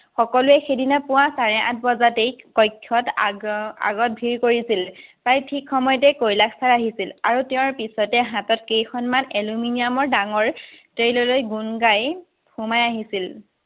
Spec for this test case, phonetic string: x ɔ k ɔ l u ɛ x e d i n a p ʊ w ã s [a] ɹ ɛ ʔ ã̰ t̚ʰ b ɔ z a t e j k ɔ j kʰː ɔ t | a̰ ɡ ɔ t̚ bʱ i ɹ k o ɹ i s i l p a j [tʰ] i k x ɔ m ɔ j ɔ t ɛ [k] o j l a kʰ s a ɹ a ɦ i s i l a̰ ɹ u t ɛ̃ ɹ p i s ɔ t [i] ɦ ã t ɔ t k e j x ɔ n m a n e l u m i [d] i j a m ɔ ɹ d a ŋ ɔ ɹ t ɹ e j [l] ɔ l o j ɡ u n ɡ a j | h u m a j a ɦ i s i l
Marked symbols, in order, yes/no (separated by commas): yes, yes, yes, no, no, yes